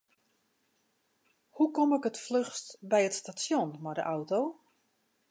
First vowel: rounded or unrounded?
rounded